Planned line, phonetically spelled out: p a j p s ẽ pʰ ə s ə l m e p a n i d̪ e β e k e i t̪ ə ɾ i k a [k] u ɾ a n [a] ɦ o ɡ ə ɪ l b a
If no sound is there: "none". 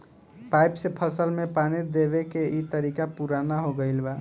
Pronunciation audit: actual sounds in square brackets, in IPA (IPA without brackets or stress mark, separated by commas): p, a